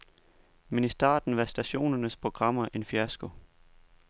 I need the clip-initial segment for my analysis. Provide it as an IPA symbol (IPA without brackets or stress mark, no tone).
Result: m